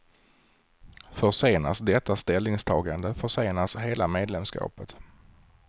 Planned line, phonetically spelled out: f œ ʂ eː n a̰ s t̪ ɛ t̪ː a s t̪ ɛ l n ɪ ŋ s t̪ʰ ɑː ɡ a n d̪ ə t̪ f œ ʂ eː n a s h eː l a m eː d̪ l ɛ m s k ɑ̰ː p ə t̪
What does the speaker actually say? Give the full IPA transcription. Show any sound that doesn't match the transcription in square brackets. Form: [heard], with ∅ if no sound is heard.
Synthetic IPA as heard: f œ ʂ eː n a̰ s [d̪] ɛ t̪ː a s t̪ ɛ l n ɪ ŋ s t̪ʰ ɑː ɡ a n d̪ ə [∅] f œ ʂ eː n a s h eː l a m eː d̪ l ɛ m s k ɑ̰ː p ə t̪

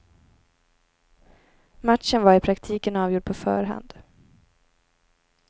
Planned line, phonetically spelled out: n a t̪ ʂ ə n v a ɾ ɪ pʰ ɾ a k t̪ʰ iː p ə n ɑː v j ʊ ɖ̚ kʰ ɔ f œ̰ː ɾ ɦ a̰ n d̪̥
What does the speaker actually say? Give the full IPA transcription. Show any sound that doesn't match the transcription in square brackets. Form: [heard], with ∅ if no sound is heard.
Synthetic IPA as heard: [m] a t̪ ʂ ə n v a ɾ ɪ pʰ ɾ a k t̪ʰ iː [k] ə n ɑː v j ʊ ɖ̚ [pʰ] ɔ f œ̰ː ɾ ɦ a̰ n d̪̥

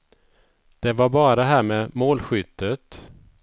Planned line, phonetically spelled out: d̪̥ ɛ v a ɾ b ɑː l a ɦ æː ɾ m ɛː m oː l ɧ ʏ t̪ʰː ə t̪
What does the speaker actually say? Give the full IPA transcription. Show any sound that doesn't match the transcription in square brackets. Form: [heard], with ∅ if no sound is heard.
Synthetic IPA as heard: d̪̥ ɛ v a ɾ b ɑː [ɾ] a ɦ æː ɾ m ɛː m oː l ɧ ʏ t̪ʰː ə t̪

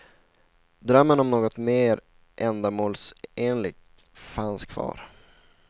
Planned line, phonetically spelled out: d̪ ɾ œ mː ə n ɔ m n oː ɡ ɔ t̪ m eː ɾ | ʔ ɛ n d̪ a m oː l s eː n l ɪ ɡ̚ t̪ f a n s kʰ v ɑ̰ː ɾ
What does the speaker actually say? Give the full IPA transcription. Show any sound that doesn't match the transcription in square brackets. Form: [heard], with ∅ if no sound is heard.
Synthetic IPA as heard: d̪ ɾ œ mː ə n ɔ m n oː ɡ ɔ t̪ m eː ɾ | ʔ ɛ n d̪ a m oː l s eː n l ɪ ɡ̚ t̪ f a n s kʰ v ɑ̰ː ɾ

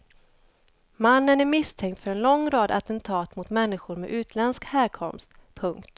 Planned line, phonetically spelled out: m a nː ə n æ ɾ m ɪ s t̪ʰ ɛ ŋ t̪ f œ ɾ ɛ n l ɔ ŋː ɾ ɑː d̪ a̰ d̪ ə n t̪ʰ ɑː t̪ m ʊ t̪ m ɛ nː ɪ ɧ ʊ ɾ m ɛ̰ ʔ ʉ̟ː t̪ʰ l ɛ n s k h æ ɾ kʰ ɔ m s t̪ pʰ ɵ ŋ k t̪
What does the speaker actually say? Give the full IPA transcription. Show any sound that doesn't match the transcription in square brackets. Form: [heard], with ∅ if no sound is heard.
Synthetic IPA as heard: m a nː ə n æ ɾ m ɪ s t̪ʰ ɛ ŋ t̪ f œ ɾ ɛ n l ɔ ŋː ɾ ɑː d̪ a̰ [t̪] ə n t̪ʰ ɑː t̪ m ʊ t̪ m ɛ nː ɪ ɧ ʊ ɾ m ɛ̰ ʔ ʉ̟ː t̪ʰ l ɛ n s k h [æː] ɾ kʰ ɔ m s t̪ pʰ ɵ ŋ k t̪

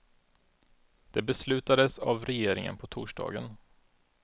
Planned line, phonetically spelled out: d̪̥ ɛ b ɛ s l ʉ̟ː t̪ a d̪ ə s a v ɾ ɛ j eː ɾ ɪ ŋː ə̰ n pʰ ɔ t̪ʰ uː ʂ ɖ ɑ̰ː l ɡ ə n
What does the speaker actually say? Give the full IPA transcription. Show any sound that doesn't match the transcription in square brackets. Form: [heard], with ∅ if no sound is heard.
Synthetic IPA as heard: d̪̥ ɛ b ɛ s l ʉ̟ː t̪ a d̪ ə s a v ɾ ɛ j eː ɾ ɪ [ŋ] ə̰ n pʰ ɔ t̪ʰ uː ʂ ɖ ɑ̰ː [∅] ɡ ə n

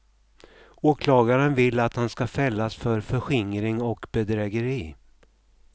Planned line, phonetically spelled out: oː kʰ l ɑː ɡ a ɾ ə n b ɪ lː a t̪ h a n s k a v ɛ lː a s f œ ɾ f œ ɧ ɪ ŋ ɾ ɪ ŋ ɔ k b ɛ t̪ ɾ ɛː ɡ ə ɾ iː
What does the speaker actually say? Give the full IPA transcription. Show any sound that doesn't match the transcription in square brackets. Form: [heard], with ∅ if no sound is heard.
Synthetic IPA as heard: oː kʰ l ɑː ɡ a ɾ ə n [v] ɪ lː a t̪ h a n s k a [f] ɛ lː a s f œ ɾ f œ ɧ ɪ ŋ ɾ ɪ ŋ ɔ k b ɛ [d̪] ɾ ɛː ɡ ə ɾ iː

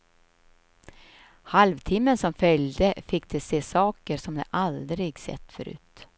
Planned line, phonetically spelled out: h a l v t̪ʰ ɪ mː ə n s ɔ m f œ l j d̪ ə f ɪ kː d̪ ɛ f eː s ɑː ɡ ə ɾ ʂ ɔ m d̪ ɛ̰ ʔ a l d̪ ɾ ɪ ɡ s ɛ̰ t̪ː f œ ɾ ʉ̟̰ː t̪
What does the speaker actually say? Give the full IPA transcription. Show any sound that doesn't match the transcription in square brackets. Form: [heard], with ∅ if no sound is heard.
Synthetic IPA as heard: h a l v t̪ʰ ɪ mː ə n s ɔ m f œ l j d̪ ə f ɪ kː d̪ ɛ [s] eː s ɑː [k] ə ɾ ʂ ɔ m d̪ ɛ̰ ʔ a l d̪ ɾ ɪ ɡ s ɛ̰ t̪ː f œ ɾ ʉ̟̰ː t̪

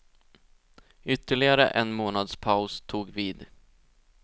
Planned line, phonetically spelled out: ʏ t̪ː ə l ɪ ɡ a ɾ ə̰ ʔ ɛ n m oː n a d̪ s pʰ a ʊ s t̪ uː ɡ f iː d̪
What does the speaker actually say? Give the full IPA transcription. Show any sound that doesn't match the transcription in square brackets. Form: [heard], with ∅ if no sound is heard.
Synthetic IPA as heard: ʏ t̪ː ə [ɭ] ɪ ɡ a ɾ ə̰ ʔ ɛ n m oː n a d̪ s pʰ a ʊ s [t̪ʰ] uː ɡ [v] iː d̪

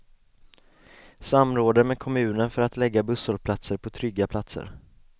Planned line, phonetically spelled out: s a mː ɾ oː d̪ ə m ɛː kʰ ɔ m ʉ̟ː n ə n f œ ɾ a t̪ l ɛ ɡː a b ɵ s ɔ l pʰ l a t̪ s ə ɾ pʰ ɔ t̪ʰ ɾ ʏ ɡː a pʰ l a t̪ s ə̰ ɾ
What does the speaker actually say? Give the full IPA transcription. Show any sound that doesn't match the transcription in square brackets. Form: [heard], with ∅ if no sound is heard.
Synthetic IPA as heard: s a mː ɾ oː d̪ ə m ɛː kʰ ɔ m ʉ̟ː n ə n f œ ɾ a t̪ l ɛ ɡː a b ɵ s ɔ l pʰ l a t̪ s ə ɾ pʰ ɔ t̪ʰ ɾ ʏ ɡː a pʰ l a t̪ s ə̰ ɾ

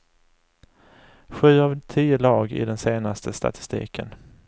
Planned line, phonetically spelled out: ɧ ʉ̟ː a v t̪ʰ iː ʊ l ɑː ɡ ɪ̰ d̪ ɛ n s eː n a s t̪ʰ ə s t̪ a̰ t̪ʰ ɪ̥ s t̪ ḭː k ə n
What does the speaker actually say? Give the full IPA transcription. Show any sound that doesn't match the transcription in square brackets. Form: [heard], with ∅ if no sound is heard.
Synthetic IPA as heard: ɧ ʉ̟ː a v t̪ʰ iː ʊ l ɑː ɡ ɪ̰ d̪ ɛ n s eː n a s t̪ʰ ə s t̪ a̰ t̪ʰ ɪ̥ s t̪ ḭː k ə n

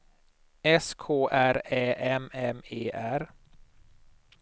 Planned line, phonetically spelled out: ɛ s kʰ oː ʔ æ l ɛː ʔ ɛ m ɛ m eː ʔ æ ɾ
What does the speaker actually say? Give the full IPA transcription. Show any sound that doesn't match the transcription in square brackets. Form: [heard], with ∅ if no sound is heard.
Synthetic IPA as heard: ɛ s kʰ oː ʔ æ [ɾ] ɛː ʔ ɛ m ɛ m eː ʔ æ ɾ

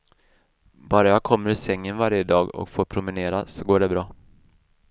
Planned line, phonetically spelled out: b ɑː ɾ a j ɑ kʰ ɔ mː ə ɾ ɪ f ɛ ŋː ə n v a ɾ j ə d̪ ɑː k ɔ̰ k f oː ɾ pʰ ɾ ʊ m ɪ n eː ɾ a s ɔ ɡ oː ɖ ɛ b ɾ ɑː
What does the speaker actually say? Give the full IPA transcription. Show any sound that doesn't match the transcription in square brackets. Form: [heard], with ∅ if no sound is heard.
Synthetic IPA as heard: b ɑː ɾ a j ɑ kʰ ɔ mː ə ɾ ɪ [s] ɛ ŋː ə n v a ɾ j ə d̪ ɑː [ɡ] ɔ̰ k f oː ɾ pʰ ɾ ʊ m ɪ n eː ɾ a s ɔ ɡ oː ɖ ɛ b ɾ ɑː

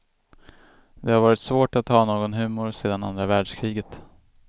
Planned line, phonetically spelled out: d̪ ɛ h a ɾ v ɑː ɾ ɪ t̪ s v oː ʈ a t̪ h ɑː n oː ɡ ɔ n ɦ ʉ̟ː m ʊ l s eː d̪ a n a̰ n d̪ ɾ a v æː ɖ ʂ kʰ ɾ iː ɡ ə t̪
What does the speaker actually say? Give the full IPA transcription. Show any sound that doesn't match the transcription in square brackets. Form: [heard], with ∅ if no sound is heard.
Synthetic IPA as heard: d̪ ɛ h a ɾ v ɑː ɾ ɪ t̪ s v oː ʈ a t̪ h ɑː n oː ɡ ɔ n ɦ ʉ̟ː m ʊ [ɾ] s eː d̪ a n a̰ n d̪ ɾ a v æː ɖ ʂ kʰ ɾ iː ɡ ə t̪

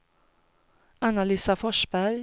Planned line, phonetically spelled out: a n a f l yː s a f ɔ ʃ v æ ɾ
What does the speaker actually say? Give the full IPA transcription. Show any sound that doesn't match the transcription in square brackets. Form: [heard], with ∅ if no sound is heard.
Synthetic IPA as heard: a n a [∅] l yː s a f ɔ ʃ [b] æ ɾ

